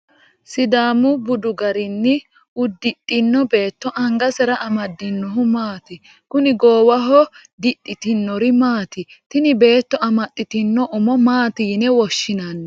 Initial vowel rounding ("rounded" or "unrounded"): unrounded